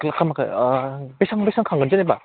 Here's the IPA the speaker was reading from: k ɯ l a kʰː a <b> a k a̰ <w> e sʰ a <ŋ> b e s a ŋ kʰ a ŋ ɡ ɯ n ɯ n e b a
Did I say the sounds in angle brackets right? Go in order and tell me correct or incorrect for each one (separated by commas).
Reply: incorrect, incorrect, correct